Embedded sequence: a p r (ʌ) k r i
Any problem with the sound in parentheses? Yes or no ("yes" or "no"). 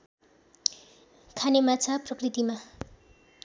no